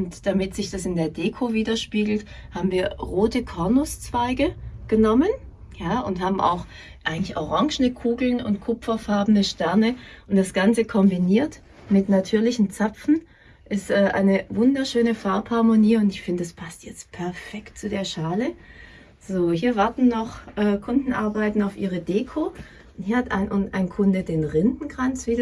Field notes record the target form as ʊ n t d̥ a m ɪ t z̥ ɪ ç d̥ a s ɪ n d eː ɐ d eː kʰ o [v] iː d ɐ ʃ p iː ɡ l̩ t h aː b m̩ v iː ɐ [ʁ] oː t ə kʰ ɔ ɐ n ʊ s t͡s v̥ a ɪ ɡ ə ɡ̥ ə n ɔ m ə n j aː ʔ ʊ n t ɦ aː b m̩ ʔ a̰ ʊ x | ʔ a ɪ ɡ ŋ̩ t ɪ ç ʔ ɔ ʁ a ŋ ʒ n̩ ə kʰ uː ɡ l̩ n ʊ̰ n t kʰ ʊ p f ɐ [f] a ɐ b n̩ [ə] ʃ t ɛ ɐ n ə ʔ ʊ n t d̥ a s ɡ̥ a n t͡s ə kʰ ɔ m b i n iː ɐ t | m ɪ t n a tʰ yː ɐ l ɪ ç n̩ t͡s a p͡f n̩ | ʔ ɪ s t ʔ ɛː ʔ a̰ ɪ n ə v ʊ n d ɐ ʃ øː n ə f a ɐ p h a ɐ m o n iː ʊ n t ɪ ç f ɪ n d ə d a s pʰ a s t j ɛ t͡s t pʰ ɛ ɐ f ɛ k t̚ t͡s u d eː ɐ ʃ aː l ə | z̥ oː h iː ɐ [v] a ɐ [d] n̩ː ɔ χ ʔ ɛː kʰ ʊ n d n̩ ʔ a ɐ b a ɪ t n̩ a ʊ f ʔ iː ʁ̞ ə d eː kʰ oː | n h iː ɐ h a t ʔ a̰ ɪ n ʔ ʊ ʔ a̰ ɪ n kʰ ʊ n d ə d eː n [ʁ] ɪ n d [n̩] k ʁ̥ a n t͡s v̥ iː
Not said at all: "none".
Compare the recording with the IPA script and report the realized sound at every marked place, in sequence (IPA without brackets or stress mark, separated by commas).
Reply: v, ʁ, f, ə, v, t, ʁ, n̩